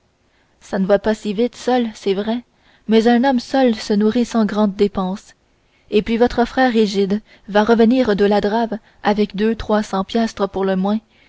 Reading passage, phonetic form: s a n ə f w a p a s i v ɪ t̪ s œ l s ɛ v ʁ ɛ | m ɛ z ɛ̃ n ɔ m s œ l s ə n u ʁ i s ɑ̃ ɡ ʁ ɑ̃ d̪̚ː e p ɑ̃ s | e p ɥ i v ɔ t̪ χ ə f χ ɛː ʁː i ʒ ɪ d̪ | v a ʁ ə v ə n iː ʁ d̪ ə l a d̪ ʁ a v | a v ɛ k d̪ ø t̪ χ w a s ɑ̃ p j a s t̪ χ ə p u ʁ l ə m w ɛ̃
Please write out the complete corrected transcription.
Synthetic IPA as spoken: s a n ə v w a p a s i v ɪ t̪ s œ l s ɛ v ʁ ɛ | m ɛ z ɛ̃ n ɔ m s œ l s ə n u ʁ i s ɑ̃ ɡ ʁ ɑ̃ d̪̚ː e p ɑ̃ s | e p ɥ i v ɔ t̪ χ ə f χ ɛː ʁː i ʒ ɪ d̪ | v a ʁ ə v ə n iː ʁ d̪ ə l a d̪ ʁ a v | a v ɛ k d̪ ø t̪ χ w a s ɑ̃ p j a s t̪ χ ə p u ʁ l ə m w ɛ̃